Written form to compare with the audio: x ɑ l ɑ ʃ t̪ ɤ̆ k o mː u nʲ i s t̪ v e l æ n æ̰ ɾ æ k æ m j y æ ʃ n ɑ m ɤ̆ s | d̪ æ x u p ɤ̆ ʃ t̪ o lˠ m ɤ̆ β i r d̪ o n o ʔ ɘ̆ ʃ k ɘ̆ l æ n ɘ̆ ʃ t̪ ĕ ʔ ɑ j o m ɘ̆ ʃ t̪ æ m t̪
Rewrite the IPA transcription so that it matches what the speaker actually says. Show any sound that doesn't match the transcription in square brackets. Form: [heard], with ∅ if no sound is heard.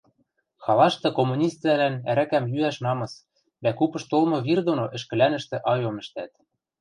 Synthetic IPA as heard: x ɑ l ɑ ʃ t̪ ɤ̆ k o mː u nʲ i s t̪ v [æ] l æ n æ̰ ɾ æ k æ m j y æ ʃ n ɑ m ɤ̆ s | d̪ æ [k] u p ɤ̆ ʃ t̪ o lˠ m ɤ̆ β i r d̪ o n o ʔ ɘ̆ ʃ k ɘ̆ l æ n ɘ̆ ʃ t̪ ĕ ʔ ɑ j o m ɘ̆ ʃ t̪ æ [∅] t̪